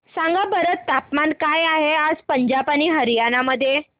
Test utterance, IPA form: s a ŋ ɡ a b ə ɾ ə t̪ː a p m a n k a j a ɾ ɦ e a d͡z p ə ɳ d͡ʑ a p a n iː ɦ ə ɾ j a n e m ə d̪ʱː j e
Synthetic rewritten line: s a ŋ ɡ a b ə ɾ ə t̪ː a p m a n k a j a ɦ e a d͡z p ə ɲ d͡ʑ a p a n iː ɦ ə ɾ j a n a m ə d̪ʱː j e